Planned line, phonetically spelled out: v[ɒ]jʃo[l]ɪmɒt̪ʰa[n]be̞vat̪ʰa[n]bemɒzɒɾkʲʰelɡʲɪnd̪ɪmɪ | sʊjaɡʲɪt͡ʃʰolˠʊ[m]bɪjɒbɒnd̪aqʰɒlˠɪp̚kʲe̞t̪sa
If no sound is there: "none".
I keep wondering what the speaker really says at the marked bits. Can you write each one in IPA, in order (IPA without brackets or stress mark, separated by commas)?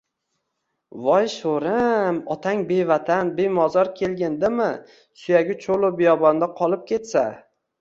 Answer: ɒ, ɾ, ŋ, n, none